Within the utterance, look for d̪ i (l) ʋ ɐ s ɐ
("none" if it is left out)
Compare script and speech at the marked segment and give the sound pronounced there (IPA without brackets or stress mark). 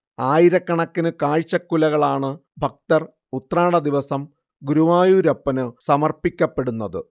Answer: none